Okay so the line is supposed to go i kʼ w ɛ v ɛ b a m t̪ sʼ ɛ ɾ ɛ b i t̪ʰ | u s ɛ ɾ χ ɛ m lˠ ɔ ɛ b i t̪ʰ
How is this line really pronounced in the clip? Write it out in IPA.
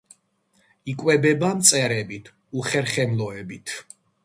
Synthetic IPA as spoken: i kʼ w ɛ b ɛ b a m t̪ sʼ ɛ ɾ ɛ b i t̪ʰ | u χ ɛ ɾ χ ɛ m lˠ ɔ ɛ b i t̪ʰ